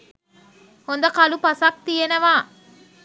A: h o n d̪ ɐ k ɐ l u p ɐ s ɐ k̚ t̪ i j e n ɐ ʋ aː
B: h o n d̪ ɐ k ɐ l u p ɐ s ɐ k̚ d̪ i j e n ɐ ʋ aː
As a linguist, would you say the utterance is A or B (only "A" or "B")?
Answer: A